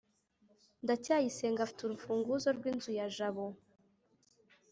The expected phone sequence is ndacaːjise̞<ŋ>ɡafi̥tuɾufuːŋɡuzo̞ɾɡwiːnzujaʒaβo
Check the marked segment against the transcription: correct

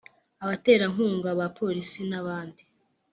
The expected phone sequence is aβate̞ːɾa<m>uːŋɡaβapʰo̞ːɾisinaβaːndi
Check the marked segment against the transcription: incorrect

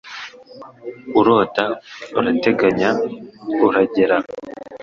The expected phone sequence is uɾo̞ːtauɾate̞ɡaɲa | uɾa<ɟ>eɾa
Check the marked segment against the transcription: correct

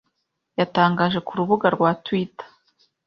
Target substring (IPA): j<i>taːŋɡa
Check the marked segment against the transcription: incorrect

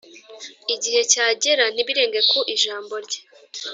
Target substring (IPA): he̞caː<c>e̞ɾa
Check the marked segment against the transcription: incorrect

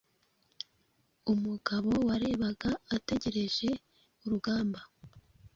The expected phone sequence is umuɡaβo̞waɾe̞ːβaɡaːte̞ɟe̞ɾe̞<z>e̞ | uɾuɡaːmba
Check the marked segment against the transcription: incorrect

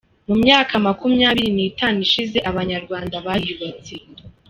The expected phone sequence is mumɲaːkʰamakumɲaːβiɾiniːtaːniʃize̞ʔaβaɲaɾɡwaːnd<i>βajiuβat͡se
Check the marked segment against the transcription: incorrect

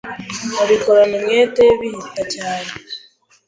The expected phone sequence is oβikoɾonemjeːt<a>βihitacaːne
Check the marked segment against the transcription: incorrect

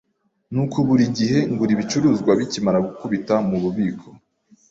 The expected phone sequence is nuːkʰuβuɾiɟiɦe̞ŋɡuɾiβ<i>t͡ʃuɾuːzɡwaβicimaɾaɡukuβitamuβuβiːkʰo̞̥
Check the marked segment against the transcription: correct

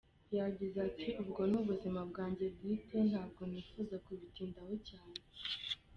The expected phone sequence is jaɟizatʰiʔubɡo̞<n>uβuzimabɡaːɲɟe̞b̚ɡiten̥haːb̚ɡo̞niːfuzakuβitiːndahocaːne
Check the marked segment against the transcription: correct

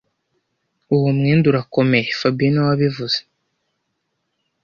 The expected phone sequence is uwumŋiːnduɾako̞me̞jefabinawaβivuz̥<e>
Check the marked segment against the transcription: correct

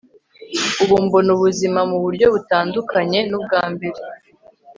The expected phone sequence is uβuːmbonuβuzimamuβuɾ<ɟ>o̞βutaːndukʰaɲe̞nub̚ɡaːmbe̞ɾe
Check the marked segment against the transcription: correct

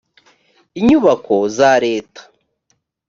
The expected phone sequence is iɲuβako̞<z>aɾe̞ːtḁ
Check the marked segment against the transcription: correct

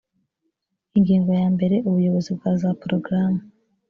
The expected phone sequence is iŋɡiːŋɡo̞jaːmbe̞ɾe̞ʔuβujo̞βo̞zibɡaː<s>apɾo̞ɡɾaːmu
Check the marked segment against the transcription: incorrect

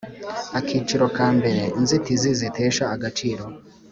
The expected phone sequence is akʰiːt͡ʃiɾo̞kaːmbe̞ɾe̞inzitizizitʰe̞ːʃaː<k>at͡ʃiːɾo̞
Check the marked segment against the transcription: incorrect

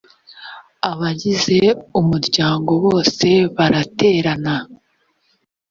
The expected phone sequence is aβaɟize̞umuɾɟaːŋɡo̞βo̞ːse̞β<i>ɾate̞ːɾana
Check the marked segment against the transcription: incorrect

